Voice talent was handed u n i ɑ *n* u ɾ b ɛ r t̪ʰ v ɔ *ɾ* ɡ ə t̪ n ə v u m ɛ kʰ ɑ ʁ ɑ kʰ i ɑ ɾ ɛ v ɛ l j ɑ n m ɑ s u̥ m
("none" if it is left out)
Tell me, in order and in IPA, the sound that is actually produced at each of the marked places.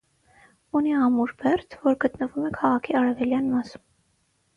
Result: m, ɾ

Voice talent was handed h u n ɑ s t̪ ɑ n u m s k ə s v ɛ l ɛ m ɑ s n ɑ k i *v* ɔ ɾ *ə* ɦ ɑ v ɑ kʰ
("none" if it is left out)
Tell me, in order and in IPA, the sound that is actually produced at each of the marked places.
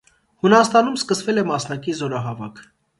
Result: z, ɑ

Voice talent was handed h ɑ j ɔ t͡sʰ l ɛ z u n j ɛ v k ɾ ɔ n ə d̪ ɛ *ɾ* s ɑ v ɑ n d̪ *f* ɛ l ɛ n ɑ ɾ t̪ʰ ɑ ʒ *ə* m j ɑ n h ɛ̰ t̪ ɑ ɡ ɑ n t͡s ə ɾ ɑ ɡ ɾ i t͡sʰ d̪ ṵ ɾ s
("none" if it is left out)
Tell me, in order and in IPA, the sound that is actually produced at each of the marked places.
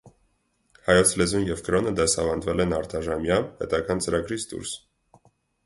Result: none, v, ɑ

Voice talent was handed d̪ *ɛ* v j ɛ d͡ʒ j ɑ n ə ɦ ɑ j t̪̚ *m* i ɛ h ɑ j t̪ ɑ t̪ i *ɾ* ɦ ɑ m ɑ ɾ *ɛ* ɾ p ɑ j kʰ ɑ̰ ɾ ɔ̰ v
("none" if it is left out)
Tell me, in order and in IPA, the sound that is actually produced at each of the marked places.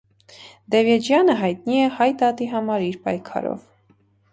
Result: ɛ, n, none, i

